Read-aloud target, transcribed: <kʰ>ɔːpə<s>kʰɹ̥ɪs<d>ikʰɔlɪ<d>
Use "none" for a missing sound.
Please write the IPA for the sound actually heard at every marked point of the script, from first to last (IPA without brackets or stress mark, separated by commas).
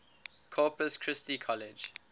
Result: kʰ, s, t, d͡ʒ